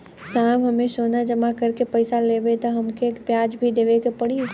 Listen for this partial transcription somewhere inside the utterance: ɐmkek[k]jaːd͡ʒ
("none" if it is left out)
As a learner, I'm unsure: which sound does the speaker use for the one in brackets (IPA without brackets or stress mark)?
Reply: p